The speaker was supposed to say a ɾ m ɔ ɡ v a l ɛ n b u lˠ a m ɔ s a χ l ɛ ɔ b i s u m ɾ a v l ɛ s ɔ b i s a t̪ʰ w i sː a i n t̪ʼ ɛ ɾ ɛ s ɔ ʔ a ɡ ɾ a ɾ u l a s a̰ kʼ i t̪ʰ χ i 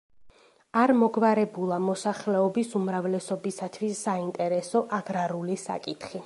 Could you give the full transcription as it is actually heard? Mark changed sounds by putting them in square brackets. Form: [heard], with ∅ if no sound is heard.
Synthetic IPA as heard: a ɾ m ɔ ɡ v a [ɾ] ɛ [∅] b u lˠ a m ɔ s a χ l ɛ ɔ b i s u m ɾ a v l ɛ s ɔ b i s a t̪ʰ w i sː a i n t̪ʼ ɛ ɾ ɛ s ɔ ʔ a ɡ ɾ a ɾ u l [i] s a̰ kʼ i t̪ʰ χ i